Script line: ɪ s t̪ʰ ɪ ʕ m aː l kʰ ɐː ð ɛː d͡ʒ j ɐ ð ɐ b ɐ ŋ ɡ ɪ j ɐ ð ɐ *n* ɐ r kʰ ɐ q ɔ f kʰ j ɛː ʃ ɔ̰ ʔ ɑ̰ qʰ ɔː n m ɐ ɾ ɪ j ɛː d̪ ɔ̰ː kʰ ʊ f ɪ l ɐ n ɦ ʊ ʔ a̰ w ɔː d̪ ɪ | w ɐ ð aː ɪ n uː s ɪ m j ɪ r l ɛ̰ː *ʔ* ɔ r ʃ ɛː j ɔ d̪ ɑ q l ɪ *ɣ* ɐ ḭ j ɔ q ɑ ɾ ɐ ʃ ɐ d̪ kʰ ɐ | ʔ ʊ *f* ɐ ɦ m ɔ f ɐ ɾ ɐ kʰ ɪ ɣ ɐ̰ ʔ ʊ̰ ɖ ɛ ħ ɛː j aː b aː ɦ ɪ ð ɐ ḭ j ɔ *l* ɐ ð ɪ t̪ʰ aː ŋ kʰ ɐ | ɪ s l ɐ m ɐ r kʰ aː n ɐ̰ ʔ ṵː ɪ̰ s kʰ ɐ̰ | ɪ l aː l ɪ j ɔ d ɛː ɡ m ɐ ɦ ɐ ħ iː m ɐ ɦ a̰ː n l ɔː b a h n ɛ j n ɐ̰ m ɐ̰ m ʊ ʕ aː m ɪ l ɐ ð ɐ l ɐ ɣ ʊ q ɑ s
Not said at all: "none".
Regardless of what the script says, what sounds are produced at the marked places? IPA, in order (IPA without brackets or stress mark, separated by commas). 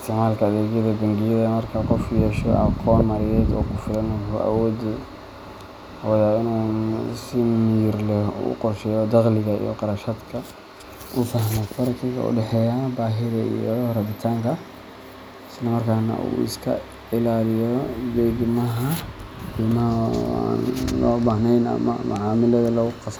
m, q, ɣ, f, r